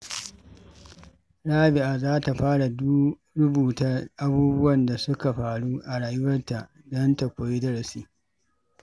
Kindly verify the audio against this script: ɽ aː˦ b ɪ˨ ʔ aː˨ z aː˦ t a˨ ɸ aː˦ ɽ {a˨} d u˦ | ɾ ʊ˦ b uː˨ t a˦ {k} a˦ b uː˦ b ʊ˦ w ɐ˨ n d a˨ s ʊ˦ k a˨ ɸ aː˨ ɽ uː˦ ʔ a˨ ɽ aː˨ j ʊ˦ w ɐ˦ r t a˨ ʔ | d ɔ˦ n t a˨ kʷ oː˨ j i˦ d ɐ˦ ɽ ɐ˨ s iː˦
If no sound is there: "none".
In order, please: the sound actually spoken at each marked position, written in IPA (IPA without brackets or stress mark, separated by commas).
a˨, ʔ